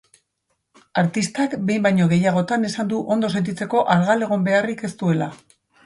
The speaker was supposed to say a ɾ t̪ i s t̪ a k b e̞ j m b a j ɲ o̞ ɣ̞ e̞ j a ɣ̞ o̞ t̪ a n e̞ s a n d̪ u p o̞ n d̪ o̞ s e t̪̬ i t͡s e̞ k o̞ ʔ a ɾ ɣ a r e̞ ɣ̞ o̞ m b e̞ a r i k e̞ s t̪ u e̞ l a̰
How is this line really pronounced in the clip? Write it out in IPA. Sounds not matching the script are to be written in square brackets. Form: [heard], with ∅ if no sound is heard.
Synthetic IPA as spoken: a ɾ t̪ i s t̪ a k b e̞ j m b a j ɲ o̞ ɣ̞ e̞ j a ɣ̞ o̞ t̪ a n e̞ s a n d̪ u [ʔ] o̞ n d̪ o̞ s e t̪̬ i t͡s e̞ k o̞ ʔ a ɾ ɣ a [l] e̞ ɣ̞ o̞ m b e̞ a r i k e̞ s t̪ u e̞ l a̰